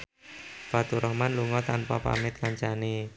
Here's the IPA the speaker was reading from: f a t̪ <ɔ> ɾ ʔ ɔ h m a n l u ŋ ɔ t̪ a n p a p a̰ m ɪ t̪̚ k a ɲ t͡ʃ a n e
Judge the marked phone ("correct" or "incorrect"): incorrect